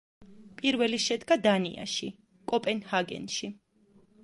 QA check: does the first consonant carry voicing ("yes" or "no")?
no